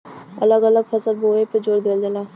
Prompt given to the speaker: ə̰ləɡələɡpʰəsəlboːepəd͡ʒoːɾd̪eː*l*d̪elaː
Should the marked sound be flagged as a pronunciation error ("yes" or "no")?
no